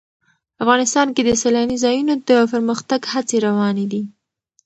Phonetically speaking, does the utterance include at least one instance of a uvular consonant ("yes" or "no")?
no